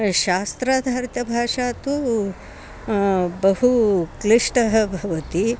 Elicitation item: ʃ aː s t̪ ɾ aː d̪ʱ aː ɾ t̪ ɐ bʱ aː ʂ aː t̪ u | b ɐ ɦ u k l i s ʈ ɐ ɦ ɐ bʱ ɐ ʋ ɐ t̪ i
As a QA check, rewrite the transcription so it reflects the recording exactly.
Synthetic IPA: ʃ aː s t̪ ɾ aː d̪ʱ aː ɾ t̪ ɐ bʱ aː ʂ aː t̪ u | b ɐ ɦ u k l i ʂ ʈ ɐ ɦ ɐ bʱ ɐ ʋ ɐ t̪ i